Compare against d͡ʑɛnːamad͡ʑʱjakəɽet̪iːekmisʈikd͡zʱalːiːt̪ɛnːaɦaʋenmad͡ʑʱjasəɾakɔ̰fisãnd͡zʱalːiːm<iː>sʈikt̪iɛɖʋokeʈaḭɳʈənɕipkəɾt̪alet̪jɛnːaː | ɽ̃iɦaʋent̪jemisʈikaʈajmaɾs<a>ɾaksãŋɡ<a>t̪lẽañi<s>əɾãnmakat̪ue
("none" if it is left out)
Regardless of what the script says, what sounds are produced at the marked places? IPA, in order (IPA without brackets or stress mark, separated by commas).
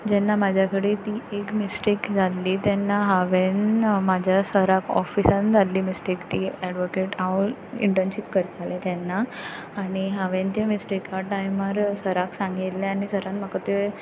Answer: i, ə, i, s